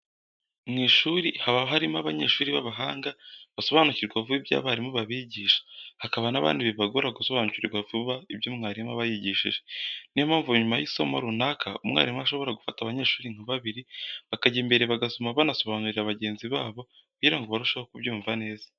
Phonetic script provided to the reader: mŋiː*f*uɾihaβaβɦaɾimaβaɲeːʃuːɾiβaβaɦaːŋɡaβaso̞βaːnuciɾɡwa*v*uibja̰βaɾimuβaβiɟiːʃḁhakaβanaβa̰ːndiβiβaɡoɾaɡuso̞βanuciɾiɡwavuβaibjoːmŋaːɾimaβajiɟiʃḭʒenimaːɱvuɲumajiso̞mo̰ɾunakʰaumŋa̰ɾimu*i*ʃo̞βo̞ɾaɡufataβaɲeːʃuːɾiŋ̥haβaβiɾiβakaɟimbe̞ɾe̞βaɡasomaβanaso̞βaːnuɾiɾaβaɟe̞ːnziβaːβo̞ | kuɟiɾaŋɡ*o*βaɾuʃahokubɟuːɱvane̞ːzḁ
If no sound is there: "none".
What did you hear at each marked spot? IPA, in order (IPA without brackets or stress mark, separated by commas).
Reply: ʃ, v, a, o